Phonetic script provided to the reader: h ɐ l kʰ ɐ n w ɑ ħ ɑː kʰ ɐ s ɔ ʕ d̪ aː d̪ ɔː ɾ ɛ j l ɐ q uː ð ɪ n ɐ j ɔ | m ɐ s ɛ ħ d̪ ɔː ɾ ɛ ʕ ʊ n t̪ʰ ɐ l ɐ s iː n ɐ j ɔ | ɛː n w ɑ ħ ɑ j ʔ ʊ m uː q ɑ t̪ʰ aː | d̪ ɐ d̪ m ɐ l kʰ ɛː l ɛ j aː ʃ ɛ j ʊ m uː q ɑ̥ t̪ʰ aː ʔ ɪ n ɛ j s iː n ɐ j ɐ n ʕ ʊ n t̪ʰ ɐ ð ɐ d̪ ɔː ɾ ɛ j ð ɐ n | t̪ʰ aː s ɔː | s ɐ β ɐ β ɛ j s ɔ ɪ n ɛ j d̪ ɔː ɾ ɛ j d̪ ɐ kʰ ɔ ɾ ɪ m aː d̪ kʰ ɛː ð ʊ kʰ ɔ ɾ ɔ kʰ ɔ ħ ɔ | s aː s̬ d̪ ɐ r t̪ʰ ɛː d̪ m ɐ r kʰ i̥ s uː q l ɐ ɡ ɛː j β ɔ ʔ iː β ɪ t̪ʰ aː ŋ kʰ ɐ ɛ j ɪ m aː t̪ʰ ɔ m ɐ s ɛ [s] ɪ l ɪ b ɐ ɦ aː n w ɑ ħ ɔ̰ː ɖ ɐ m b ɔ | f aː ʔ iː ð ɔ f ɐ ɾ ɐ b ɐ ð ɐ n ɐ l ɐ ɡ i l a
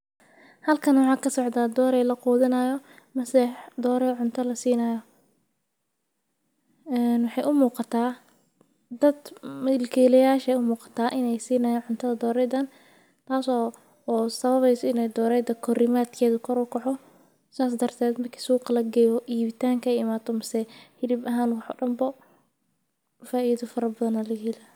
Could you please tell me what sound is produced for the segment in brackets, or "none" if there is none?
h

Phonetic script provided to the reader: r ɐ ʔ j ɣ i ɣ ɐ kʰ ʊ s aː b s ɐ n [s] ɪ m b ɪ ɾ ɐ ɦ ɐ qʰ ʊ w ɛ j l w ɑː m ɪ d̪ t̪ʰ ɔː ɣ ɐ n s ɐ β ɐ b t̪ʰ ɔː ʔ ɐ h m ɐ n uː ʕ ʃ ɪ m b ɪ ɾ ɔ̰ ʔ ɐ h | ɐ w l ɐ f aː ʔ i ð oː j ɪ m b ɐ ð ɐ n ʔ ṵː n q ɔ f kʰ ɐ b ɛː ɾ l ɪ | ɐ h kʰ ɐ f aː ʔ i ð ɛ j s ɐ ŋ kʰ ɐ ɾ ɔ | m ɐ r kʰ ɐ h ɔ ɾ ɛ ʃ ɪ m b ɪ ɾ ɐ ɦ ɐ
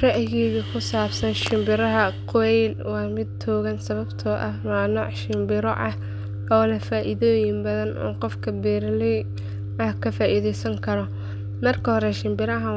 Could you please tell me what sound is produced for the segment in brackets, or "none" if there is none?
ʃ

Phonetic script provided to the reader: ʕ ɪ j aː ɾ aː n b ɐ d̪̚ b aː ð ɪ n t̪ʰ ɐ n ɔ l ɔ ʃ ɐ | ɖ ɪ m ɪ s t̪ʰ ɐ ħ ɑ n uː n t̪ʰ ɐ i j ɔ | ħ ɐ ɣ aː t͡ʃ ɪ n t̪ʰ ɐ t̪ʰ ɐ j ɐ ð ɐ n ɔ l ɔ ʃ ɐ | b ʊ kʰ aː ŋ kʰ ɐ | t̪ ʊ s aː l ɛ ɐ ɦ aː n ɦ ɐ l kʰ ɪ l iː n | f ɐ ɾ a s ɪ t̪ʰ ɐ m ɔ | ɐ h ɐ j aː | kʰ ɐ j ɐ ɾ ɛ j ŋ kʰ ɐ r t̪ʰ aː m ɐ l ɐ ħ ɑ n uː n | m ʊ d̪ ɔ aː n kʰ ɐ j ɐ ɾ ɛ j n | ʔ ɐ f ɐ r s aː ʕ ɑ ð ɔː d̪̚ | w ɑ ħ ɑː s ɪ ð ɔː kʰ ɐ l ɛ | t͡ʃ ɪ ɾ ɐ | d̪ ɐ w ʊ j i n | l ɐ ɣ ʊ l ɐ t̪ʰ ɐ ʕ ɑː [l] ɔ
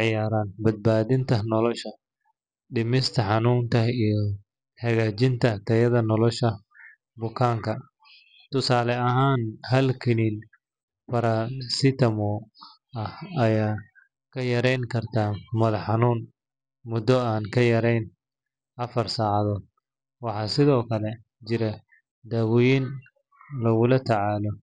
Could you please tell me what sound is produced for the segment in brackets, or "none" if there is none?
l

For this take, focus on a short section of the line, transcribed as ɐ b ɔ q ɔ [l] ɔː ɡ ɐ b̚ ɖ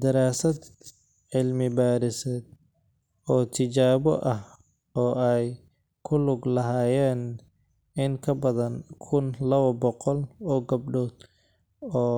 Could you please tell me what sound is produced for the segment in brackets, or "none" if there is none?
l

